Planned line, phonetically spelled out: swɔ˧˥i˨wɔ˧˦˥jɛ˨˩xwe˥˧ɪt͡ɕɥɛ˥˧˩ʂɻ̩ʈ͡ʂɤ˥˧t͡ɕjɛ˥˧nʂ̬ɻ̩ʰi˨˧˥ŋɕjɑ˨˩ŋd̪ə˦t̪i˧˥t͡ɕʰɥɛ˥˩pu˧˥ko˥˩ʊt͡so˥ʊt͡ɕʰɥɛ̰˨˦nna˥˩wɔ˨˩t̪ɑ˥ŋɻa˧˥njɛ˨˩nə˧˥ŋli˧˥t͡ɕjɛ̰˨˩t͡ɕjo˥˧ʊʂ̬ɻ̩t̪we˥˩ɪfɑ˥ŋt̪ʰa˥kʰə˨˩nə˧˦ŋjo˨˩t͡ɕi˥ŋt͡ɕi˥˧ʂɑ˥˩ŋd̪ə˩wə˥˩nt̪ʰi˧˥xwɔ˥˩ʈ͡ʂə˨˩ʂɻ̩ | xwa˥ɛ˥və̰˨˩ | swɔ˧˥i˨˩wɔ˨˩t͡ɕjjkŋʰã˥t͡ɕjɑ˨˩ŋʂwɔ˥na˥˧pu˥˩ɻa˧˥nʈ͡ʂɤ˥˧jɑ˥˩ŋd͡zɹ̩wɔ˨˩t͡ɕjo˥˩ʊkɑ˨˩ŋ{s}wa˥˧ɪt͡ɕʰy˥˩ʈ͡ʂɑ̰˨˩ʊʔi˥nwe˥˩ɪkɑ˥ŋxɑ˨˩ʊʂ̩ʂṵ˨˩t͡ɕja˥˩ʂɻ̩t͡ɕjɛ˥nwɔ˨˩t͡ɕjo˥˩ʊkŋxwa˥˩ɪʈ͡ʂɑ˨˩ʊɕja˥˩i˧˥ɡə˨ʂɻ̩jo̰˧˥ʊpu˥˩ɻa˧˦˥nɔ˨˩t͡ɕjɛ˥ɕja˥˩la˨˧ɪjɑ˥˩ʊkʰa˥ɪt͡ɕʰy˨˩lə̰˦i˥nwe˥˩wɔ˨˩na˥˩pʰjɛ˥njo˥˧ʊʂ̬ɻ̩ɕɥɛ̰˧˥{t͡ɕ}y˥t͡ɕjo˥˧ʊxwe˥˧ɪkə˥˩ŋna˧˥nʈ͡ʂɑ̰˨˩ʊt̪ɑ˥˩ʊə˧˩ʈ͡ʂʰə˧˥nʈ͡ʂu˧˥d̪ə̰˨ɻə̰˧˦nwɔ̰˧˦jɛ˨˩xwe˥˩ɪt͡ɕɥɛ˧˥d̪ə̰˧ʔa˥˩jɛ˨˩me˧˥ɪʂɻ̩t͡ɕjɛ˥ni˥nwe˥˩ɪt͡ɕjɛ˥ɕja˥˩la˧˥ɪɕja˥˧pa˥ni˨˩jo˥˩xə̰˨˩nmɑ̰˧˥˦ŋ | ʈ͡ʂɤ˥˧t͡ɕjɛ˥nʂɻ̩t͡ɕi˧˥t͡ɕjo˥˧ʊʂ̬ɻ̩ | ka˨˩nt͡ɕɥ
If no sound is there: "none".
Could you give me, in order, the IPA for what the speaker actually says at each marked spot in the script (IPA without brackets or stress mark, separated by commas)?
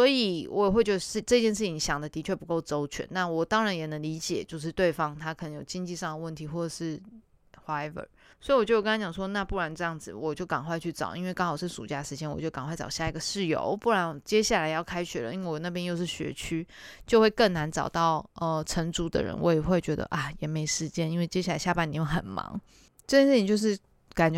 x, t͡ɕʰ